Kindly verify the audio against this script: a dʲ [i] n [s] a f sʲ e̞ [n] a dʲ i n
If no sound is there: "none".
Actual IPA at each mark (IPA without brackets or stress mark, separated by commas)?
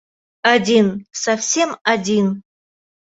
i, s, m